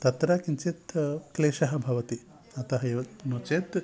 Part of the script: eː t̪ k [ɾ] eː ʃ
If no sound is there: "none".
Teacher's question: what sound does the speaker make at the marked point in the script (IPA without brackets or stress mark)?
l